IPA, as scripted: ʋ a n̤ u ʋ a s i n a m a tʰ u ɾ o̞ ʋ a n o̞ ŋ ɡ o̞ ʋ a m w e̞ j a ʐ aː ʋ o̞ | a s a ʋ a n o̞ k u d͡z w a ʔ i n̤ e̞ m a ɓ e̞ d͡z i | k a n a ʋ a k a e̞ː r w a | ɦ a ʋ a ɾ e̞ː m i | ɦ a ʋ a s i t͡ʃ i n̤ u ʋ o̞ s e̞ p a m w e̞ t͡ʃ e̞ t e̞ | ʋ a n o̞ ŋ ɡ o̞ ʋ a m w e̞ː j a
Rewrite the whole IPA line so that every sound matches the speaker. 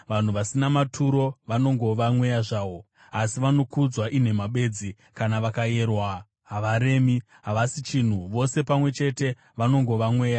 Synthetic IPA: ʋ a n̤ u ʋ a s i n a m a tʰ u ɾ o̞ ʋ a n o̞ ŋ ɡ o̞ ʋ a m w e̞ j a ʐ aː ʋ o̞ | a s i ʋ a n o̞ k u d͡z w a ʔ i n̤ e̞ m a ɓ e̞ d͡z i | k a n a ʋ a k a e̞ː r w a | ɦ a ʋ a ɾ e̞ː m i | ɦ a ʋ a s i t͡ʃ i n̤ u ʋ o̞ s e̞ p a m w e̞ t͡ʃ e̞ t e̞ | ʋ a n o̞ ŋ ɡ o̞ ʋ a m w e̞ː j a